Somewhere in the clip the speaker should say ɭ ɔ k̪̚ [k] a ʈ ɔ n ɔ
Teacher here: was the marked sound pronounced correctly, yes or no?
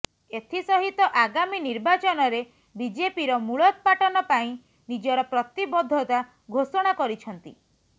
no